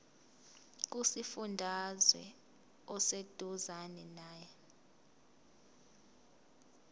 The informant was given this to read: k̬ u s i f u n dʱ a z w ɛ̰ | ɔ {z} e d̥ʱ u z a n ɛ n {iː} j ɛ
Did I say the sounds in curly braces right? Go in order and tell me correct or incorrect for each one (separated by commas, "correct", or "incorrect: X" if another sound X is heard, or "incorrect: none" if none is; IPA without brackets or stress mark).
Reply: incorrect: s, incorrect: aː